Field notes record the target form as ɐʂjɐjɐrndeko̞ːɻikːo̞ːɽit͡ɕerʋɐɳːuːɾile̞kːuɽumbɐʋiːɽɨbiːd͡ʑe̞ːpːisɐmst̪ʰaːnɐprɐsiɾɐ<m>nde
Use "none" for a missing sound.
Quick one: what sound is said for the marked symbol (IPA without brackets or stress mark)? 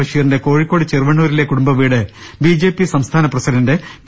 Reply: none